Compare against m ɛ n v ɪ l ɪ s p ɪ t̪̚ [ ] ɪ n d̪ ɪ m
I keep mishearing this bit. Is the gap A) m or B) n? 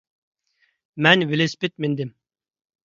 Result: A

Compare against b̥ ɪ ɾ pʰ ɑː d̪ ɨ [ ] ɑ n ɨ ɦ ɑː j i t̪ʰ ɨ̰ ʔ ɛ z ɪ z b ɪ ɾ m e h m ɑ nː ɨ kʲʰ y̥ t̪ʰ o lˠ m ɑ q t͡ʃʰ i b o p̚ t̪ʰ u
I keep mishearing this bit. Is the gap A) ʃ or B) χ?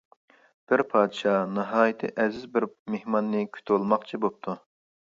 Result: A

